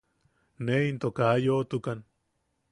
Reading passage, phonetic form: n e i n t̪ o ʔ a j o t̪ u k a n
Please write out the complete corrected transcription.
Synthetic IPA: n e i n t̪ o k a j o t̪ u k a n